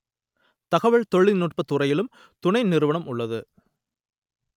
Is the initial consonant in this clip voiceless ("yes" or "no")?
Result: yes